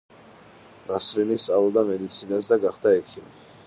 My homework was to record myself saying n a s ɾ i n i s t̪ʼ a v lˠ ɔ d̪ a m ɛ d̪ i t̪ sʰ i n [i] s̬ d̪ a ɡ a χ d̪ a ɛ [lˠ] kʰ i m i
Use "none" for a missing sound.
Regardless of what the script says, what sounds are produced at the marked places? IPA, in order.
a, none

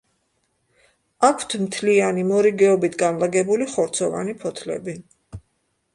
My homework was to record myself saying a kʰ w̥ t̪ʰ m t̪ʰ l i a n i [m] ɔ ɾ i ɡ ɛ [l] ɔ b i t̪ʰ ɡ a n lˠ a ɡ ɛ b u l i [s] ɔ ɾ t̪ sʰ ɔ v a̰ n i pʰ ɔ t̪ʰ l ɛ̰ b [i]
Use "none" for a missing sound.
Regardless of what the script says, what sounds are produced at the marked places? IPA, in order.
m, none, χ, i

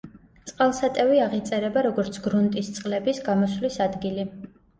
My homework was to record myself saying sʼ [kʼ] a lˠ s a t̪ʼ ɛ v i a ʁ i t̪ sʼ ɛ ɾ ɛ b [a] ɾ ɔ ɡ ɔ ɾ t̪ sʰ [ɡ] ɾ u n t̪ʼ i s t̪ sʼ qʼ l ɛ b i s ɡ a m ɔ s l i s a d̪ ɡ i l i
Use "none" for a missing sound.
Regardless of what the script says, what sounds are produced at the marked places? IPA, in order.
qʼ, a, ɡ

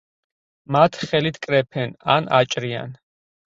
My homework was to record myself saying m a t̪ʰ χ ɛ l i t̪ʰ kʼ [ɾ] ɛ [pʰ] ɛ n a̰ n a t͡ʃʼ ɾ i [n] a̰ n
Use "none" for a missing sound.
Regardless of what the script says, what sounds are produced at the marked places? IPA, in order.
ɾ, pʰ, none

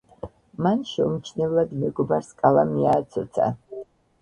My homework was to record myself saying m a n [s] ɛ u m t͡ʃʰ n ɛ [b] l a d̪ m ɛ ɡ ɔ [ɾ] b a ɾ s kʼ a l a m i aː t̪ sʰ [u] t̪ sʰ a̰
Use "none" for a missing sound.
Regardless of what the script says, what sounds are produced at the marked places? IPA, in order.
ʃ, v, none, ɔ

